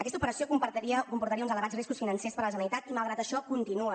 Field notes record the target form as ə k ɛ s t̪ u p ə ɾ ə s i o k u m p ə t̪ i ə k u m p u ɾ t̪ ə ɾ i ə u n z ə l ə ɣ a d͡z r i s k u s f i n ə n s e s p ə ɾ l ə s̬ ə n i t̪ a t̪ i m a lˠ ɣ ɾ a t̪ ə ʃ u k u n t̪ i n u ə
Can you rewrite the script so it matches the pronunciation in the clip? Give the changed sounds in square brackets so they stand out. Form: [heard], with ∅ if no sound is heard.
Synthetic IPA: ə k ɛ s t̪ u p ə ɾ ə s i o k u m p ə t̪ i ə k u m p u ɾ t̪ ə ɾ i ə u n z ə l ə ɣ a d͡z r i s k u s f i n ə n s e s p ə ɾ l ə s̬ ə n i t̪ a t̪ i m a lˠ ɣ ɾ a t̪ ə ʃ [ɔ] k u n t̪ i n u ə